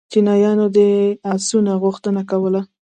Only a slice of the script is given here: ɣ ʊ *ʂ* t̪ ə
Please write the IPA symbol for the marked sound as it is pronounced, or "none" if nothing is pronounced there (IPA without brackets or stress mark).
x